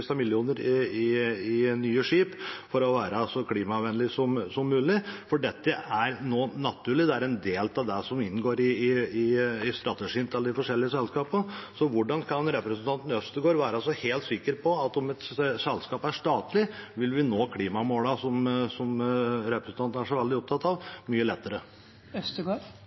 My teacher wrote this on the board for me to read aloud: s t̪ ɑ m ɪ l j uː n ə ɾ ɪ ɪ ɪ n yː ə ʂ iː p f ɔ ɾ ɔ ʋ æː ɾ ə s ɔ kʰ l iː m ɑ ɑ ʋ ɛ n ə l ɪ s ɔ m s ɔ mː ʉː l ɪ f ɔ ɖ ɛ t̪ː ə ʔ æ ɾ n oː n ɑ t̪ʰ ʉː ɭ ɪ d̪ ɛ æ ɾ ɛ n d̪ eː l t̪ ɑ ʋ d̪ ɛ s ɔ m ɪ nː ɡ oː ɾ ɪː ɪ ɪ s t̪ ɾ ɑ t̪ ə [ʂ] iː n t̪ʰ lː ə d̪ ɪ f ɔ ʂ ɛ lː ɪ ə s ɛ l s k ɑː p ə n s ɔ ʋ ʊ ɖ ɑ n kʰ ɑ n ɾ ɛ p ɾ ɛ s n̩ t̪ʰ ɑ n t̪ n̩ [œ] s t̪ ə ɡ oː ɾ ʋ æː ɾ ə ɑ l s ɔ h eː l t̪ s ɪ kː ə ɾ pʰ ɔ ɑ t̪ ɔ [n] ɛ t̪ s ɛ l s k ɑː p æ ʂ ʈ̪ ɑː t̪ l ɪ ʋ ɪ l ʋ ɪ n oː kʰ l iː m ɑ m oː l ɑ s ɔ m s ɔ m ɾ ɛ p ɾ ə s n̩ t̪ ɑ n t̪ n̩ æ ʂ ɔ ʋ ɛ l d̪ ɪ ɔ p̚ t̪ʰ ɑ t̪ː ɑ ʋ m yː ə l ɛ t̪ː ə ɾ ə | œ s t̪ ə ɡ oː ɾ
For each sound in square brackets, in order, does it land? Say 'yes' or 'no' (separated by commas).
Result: yes, yes, no